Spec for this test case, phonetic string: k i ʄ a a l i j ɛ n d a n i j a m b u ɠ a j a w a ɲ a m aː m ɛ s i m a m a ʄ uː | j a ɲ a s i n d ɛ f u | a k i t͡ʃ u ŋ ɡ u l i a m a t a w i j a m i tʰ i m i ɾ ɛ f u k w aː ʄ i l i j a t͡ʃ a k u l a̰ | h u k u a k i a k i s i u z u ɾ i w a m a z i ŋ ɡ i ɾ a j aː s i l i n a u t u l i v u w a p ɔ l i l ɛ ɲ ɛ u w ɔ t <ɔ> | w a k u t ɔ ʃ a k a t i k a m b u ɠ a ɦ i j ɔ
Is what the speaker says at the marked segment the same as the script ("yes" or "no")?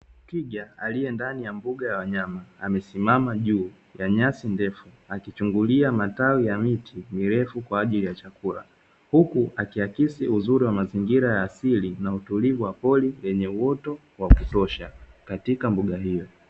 yes